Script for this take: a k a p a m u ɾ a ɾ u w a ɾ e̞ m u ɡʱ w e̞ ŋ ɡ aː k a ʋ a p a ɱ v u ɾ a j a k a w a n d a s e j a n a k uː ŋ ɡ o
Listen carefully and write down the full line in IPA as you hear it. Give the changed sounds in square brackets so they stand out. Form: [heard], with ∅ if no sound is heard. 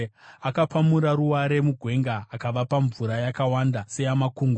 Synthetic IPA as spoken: a k a p a m u ɾ a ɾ u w a ɾ e̞ m u ɡʱ w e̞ ŋ ɡ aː k a ʋ a p a ɱ v u ɾ a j a k a w a n d a s e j a [m] a k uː ŋ ɡ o